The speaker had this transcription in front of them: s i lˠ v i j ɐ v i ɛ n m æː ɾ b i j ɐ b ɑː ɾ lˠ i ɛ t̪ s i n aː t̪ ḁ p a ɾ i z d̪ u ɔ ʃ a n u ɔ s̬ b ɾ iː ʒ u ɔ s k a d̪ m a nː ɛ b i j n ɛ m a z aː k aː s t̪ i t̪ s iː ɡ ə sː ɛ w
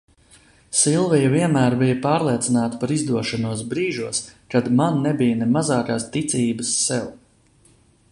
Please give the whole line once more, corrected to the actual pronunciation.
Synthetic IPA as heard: s i lˠ v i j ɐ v i ɛ n m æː ɾ b i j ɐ p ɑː ɾ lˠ i ɛ t̪ s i n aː t̪ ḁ p a ɾ i z d̪ u ɔ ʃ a n u ɔ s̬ b ɾ iː ʒ u ɔ s k a d̪ m a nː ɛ b i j n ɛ m a z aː k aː s t̪ i t̪ s iː b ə sː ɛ w